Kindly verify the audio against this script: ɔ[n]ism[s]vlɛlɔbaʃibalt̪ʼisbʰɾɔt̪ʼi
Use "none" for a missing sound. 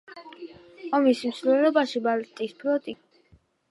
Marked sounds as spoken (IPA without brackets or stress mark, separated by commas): m, s